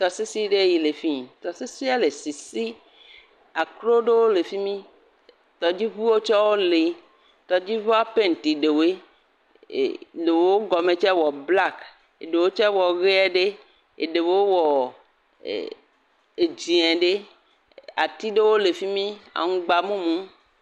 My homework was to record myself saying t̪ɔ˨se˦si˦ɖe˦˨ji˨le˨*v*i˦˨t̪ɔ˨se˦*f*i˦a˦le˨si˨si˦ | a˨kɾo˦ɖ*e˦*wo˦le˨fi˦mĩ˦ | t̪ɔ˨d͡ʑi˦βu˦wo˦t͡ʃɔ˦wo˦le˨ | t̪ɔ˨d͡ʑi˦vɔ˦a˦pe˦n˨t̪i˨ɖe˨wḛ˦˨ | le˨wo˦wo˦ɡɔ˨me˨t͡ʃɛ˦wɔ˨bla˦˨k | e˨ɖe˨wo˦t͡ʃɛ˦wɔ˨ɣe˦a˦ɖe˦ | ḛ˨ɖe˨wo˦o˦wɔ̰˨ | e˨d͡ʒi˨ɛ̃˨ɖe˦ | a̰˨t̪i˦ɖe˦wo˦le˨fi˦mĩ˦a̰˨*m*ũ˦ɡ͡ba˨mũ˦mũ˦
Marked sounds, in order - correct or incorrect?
incorrect: f, incorrect: s, correct, incorrect: ŋ

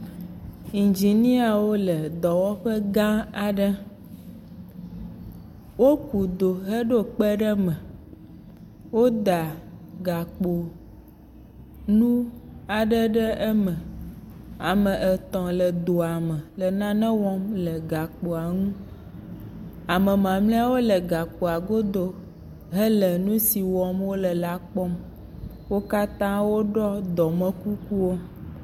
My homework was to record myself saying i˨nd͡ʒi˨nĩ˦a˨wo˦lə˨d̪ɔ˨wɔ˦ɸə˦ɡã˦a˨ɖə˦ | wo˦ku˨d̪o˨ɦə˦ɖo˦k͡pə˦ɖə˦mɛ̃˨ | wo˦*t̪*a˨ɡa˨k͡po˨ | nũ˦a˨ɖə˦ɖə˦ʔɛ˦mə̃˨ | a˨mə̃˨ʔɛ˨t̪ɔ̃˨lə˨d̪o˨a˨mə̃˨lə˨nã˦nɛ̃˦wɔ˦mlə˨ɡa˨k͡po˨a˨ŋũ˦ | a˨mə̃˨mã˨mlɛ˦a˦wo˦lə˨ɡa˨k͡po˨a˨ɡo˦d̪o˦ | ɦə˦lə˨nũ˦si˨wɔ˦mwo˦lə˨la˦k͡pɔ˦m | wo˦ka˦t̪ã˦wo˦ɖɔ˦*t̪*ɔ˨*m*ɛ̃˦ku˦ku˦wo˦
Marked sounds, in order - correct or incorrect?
incorrect: d̪, incorrect: d̪, correct

